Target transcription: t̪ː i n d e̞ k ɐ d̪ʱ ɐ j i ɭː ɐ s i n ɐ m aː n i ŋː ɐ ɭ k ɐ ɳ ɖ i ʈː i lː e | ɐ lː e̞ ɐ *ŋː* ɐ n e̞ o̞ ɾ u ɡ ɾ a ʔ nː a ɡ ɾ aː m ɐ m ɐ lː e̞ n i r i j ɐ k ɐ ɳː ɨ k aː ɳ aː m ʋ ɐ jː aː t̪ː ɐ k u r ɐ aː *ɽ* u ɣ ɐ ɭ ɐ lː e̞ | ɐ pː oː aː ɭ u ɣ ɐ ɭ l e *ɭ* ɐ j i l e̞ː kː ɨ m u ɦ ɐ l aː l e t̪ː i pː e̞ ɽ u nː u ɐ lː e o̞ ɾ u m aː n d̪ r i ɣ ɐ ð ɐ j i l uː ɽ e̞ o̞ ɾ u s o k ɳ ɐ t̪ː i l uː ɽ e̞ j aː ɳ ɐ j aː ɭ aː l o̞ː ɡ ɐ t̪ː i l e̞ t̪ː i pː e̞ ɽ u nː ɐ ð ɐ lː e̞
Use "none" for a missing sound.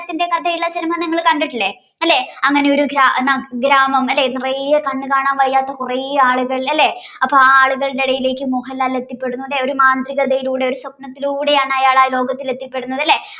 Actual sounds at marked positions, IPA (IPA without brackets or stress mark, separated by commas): ŋː, ɭ, ɽ